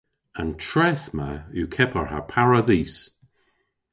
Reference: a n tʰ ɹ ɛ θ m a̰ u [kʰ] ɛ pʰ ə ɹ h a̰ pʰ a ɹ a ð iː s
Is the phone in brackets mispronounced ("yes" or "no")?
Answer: no